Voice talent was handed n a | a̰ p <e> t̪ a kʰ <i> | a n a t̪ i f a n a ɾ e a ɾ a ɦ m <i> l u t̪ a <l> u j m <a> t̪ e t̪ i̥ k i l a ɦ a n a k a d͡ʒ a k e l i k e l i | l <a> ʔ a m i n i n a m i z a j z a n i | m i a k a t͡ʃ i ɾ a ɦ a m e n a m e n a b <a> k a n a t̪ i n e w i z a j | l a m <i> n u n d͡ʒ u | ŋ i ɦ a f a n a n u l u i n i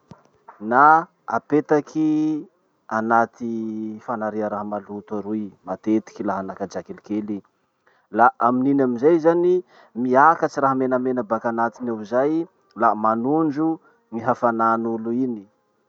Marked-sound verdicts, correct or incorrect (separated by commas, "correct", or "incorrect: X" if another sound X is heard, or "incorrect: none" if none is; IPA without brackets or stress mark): correct, correct, incorrect: a, incorrect: ɾ, correct, correct, correct, incorrect: a